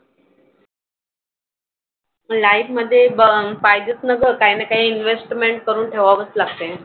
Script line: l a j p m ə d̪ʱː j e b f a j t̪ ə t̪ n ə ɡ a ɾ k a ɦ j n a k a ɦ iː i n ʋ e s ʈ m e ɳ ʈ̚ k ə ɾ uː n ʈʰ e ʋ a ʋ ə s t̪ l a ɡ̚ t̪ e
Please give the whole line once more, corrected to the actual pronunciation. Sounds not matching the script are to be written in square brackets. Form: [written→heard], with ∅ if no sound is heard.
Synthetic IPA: l a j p m ə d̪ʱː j e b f a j [t̪→d̪] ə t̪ n ə ɡ [a→ə] ɾ k a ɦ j n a k a ɦ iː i n ʋ e s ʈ m e ɳ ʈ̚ k ə ɾ uː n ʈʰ e ʋ a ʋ ə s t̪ l a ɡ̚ t̪ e